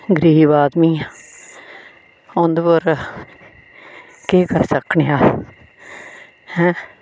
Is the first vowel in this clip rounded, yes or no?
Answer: no